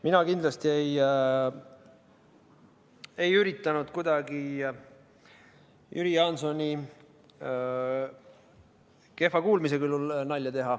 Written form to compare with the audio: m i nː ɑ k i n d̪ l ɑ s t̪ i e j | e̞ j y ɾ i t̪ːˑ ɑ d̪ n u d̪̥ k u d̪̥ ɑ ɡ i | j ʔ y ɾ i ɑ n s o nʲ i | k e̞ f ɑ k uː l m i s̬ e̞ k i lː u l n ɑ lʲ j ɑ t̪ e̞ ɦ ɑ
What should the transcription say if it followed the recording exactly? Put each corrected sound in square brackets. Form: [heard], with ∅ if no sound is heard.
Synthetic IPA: m i [n] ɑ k i n d̪ l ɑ s t̪ i e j | e̞ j y ɾ i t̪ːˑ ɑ [∅] n u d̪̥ k u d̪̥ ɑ ɡ i | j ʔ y ɾ i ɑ n s o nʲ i | k e̞ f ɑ k uː l m i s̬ e̞ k [y] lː u l n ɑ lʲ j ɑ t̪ e̞ ɦ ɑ